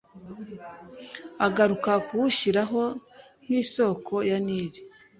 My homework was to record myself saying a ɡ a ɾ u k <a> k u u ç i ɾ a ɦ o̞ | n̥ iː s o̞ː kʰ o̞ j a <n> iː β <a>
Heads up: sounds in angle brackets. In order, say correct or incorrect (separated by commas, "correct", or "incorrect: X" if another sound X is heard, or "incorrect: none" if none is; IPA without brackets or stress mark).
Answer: correct, correct, incorrect: i